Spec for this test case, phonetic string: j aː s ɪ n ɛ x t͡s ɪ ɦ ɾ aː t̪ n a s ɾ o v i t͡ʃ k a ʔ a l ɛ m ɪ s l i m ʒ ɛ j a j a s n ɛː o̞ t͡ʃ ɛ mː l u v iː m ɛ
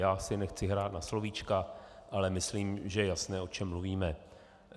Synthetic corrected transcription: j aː s ɪ n ɛ x t͡s ɪ ɦ ɾ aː t̪ n a s l o v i t͡ʃ k a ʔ a l ɛ m ɪ s l iː m ʒ ɛ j ɛ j a s n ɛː o̞ t͡ʃ ɛ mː l u v iː m ɛ